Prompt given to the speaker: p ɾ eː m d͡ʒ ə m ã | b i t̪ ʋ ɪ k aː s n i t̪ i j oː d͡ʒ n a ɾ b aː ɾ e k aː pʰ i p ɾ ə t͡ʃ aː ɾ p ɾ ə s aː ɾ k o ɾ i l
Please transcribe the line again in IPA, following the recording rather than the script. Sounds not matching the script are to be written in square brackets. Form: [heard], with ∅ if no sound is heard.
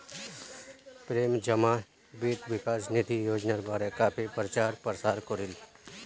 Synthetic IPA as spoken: p ɾ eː m d͡ʒ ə m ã | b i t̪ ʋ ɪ k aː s n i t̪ i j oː d͡ʒ n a ɾ b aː ɾ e k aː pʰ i p ɾ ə t͡ʃ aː ɾ p ɾ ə s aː ɾ k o ɾ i l